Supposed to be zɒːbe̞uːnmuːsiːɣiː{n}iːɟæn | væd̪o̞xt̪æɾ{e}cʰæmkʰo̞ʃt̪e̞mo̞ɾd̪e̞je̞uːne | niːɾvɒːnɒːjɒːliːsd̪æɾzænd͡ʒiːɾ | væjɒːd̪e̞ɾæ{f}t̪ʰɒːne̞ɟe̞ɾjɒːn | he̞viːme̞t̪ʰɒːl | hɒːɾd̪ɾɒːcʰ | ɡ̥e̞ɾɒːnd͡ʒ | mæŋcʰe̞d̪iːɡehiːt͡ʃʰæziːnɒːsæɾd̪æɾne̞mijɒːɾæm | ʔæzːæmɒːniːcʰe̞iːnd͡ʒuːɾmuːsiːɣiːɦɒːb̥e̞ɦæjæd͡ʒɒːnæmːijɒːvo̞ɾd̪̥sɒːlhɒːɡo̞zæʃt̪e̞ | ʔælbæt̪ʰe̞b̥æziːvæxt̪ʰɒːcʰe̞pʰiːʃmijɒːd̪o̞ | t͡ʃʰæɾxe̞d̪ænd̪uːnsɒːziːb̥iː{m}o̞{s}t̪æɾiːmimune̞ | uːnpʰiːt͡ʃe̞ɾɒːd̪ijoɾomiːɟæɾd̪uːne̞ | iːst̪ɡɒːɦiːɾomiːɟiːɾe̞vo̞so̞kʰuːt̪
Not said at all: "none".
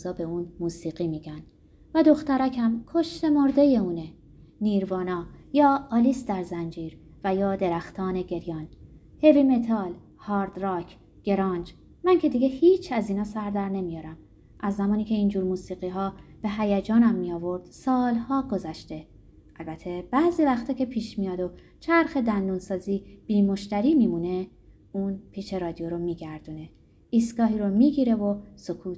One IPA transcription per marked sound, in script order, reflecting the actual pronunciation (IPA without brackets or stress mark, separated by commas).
m, æ, x, m, ʃ